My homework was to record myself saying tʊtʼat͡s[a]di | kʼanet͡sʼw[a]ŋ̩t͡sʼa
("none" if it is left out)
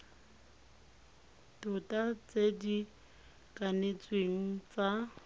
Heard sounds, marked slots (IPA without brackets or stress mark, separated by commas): e, e